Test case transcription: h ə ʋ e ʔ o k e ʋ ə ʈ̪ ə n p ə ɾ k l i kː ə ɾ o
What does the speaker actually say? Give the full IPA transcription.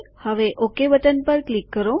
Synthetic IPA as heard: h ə ʋ e ʔ o k e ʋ ə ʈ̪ ə n p ə ɾ k l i kː ə ɾ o